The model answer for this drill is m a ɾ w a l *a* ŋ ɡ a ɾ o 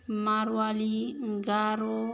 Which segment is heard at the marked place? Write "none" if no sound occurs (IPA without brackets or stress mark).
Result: i